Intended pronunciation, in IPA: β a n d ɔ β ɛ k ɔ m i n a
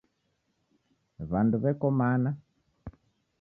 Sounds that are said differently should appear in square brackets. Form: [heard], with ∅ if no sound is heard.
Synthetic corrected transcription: β a n d [u] β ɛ k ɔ m [a] n a